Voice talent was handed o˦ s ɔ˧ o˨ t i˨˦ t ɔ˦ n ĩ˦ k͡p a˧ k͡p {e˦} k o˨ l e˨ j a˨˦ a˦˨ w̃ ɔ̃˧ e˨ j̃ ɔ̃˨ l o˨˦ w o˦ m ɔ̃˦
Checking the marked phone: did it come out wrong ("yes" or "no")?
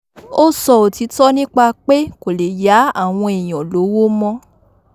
no